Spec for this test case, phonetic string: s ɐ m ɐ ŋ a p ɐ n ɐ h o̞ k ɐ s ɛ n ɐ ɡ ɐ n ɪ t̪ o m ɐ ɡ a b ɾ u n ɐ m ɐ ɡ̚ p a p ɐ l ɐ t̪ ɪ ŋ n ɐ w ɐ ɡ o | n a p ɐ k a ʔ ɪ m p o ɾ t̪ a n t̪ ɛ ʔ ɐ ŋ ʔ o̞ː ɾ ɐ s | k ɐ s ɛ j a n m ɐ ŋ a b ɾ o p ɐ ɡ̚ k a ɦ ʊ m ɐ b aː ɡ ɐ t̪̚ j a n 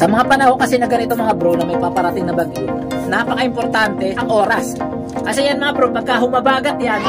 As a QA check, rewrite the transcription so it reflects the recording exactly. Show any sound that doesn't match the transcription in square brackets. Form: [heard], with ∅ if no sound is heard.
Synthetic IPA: s ɐ m ɐ ŋ a p ɐ n ɐ h o̞ k ɐ s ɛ n ɐ ɡ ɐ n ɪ t̪ o m ɐ [ŋ] a b ɾ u n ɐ m ɐ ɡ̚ p a p ɐ [ɾ] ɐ t̪ ɪ ŋ n ɐ [b] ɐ ɡ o | n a p ɐ k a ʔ ɪ m p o ɾ t̪ a n t̪ ɛ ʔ ɐ ŋ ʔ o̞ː ɾ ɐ s | k ɐ s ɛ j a n m ɐ ŋ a b ɾ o p ɐ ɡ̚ k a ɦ ʊ m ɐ b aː ɡ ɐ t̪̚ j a n